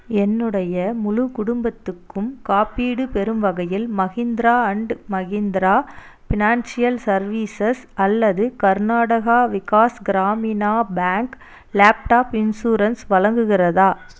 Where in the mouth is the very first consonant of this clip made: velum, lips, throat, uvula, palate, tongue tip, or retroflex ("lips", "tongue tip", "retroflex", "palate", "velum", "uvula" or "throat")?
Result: tongue tip